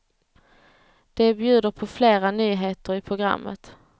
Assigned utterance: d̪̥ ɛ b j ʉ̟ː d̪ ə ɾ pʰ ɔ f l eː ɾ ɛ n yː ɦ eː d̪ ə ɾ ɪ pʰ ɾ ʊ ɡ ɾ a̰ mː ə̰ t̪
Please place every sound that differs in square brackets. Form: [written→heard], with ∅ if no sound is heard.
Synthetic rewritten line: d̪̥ ɛ b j ʉ̟ː d̪ ə ɾ pʰ ɔ f l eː ɾ [ɛ→a] n yː ɦ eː [d̪→t̪] ə ɾ ɪ pʰ ɾ ʊ ɡ ɾ a̰ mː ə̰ t̪